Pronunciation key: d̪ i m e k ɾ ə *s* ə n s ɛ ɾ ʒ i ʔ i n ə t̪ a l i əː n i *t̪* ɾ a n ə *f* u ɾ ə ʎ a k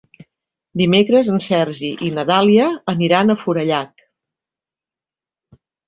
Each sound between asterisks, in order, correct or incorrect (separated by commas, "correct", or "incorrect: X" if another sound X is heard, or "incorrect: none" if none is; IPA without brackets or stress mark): incorrect: z, incorrect: none, correct